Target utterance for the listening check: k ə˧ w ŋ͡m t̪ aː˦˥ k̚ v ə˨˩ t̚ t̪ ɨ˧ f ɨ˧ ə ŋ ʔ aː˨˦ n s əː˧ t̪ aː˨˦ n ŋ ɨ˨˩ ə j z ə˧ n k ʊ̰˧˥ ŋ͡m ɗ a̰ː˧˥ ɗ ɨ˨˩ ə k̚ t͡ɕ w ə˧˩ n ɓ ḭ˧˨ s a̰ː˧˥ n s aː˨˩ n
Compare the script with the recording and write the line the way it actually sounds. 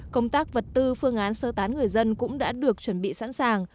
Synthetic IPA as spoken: k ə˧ w ŋ͡m t̪ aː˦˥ k̚ v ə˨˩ t̚ t̪ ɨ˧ f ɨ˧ ə ŋ ʔ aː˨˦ n s əː˧ t̪ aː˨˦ n ŋ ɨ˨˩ ə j z ə˧ n k ʊ̰˧˥ ŋ͡m ɗ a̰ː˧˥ ɗ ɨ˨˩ ə k̚ t͡ɕ w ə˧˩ n ɓ ḭ˧˨ s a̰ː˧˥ n s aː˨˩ ŋ

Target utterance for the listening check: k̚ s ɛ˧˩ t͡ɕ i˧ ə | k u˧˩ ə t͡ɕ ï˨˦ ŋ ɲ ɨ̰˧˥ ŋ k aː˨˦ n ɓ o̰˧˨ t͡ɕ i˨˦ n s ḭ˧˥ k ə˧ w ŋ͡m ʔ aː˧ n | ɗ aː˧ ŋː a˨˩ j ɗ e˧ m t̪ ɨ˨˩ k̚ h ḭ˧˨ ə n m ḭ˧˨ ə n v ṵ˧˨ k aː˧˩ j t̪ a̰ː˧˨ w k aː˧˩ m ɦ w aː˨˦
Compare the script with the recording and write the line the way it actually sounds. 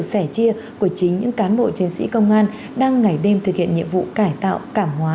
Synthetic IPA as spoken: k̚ s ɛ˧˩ t͡ɕ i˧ ə | k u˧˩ ə t͡ɕ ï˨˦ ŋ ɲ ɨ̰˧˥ ŋ k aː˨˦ n ɓ o̰˧˨ t͡ɕ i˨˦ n s ḭ˧˥ k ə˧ w ŋ͡m ʔ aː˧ n | ɗ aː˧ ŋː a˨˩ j ɗ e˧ m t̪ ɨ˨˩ k̚ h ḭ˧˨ ə n ɲ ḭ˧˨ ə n v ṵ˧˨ k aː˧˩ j t̪ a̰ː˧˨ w k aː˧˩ m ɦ w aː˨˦

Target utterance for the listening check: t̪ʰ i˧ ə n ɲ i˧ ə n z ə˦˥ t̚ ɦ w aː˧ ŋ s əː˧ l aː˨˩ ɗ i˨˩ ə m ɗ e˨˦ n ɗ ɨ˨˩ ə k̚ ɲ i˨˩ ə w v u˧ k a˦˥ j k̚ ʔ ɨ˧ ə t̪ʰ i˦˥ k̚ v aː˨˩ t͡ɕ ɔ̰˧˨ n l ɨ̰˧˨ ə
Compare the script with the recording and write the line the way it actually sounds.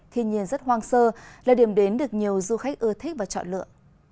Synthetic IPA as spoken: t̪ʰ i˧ ə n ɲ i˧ ə n z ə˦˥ t̚ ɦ w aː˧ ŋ s əː˧ l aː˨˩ ɗ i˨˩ ə m ɗ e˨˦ n ɗ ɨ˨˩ ə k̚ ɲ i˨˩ ə w z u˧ x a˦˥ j k̚ ʔ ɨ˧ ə t̪ʰ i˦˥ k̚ v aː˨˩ t͡ɕ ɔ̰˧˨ n l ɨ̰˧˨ ə

